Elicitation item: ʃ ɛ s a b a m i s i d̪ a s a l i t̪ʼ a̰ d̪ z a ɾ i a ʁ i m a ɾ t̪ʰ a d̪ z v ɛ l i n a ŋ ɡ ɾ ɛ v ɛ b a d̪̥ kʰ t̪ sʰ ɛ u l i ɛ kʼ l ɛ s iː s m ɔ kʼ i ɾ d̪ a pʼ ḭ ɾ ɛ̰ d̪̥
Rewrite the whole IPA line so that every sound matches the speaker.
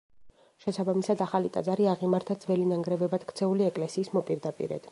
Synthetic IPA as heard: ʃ ɛ s a b a m i s a d̪ a χ a l i t̪ʼ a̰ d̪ z a ɾ i a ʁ i m a ɾ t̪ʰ a d̪ z v ɛ l i n a ŋ ɡ ɾ ɛ v ɛ b a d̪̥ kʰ t̪ sʰ ɛ u l i ɛ kʼ l ɛ s iː s m ɔ pʼ i ɾ d̪ a pʼ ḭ ɾ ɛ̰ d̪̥